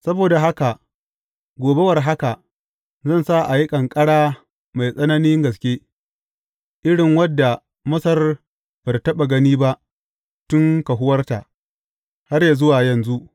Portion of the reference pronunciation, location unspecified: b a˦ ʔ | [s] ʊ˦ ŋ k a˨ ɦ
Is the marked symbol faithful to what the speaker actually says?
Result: no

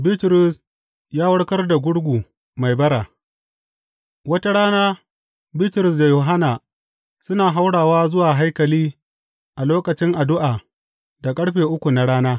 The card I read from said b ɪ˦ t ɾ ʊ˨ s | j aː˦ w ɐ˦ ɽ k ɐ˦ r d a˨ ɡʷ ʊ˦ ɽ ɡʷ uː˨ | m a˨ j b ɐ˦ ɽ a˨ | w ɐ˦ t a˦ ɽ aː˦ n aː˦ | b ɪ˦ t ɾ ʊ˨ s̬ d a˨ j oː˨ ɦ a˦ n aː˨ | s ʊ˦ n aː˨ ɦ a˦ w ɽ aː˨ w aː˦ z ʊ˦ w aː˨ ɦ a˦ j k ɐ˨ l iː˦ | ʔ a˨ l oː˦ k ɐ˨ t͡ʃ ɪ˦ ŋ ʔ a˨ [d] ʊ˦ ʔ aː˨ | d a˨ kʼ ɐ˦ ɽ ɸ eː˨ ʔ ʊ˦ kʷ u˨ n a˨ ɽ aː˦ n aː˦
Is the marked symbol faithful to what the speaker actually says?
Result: yes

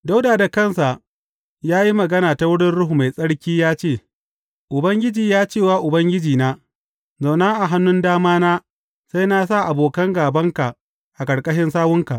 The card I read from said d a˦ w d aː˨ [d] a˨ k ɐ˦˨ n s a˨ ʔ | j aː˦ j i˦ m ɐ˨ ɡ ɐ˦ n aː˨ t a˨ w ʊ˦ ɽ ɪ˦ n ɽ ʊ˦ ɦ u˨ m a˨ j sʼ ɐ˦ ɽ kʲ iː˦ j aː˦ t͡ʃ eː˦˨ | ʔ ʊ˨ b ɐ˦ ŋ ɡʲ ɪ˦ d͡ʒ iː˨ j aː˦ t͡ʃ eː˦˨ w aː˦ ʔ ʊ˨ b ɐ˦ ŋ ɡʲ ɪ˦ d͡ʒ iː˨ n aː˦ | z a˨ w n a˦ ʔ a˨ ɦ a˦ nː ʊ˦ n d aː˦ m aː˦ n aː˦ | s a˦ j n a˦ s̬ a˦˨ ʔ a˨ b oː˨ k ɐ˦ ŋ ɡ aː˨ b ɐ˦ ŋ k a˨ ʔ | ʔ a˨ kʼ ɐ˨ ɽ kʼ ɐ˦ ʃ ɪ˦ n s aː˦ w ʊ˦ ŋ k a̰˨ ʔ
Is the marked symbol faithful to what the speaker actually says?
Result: yes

